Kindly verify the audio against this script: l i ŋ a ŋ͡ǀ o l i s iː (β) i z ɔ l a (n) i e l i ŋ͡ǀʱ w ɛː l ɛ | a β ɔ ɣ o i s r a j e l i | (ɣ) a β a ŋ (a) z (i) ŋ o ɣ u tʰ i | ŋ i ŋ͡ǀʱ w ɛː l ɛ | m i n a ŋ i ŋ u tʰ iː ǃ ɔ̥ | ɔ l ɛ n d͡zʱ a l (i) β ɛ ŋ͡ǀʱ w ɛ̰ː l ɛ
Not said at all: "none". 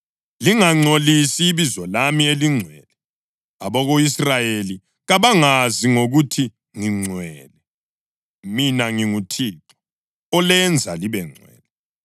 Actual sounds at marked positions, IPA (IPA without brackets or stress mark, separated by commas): β, m, ɣ, a, i, i